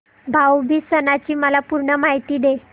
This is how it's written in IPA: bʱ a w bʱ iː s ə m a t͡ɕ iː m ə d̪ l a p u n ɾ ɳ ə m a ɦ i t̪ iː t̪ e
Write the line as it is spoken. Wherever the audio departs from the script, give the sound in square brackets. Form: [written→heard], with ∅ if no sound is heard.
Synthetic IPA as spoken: bʱ a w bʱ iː s ə [m→n] a t͡ɕ iː m ə [d̪→∅] l a p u [n→∅] ɾ ɳ ə m a ɦ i t̪ iː [t̪→d̪] e